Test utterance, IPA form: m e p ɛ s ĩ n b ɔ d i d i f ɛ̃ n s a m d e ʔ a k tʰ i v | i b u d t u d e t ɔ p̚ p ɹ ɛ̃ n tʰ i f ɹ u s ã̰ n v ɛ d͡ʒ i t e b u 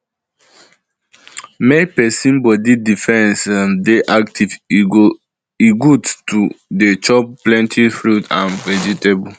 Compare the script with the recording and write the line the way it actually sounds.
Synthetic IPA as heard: m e p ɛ s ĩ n b ɔ d i d i f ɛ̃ n s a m d e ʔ a k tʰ i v | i ɡ u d t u d e t͡ʃ ɔ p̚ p l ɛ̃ n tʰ i f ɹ u t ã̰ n v ɛ d͡ʒ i t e b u